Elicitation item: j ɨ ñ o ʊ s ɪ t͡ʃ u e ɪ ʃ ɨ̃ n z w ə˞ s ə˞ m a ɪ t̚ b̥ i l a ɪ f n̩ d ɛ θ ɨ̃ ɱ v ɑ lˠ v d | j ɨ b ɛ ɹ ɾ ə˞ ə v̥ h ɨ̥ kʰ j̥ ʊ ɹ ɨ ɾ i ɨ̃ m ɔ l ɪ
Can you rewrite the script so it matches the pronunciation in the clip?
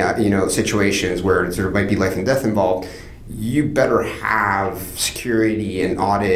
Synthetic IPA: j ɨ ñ o ʊ s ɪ t͡ʃ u e ɪ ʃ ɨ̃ n z w ə˞ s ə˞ m a ɪ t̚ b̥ i l a ɪ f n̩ d ɛ θ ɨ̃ ɱ v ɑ lˠ v d | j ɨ b ɛ ɾ ə˞ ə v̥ s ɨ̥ kʰ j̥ ʊ ɹ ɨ ɾ i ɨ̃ n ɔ ɾ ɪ